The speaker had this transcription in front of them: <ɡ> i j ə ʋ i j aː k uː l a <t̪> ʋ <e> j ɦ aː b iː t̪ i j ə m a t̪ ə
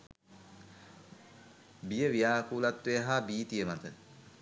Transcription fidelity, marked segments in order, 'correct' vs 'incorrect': incorrect: b, correct, correct

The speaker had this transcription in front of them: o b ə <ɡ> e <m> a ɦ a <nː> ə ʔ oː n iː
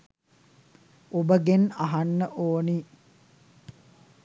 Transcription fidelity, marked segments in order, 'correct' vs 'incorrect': correct, incorrect: n, correct

